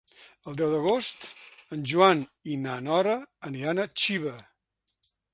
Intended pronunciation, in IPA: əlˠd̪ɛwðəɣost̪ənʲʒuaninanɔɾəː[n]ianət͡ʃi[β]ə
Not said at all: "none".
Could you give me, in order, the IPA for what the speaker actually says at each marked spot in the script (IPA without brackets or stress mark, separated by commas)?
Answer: n, β